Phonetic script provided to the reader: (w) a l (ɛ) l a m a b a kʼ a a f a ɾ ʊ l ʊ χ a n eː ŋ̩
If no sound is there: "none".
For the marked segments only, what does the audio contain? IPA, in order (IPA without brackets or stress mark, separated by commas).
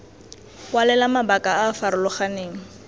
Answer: w, ɛ